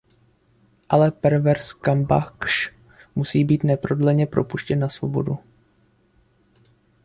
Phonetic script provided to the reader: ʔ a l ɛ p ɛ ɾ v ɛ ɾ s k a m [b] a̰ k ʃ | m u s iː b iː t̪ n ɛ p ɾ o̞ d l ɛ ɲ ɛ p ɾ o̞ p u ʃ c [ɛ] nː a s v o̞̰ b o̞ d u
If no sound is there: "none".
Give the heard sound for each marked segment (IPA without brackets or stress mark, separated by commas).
b, ɛ